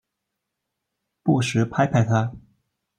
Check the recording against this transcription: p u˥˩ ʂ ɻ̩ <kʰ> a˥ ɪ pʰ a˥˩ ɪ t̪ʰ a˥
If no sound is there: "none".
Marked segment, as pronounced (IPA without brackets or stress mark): pʰ